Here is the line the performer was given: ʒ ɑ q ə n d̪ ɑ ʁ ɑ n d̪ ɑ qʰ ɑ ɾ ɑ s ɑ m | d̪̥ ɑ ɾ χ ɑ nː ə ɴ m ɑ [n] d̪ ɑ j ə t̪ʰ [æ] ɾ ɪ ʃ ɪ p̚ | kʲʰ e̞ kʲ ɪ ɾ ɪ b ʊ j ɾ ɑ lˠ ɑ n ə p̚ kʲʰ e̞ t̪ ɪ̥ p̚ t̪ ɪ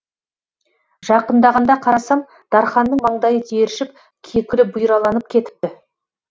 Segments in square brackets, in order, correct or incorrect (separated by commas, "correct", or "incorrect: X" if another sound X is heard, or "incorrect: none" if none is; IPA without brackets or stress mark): incorrect: ɴ, incorrect: e